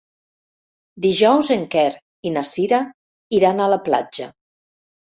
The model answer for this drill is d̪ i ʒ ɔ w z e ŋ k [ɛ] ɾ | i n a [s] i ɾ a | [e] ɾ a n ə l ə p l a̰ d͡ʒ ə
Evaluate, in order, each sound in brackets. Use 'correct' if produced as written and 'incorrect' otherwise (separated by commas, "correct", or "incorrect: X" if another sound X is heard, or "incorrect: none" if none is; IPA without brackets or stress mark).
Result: correct, correct, incorrect: i